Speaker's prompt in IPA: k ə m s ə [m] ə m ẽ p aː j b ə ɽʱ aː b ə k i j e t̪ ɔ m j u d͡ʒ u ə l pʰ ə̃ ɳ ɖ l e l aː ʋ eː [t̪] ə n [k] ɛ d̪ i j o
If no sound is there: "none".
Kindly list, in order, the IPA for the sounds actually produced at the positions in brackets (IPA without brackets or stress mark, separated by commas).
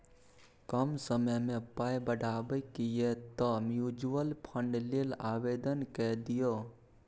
m, d̪, k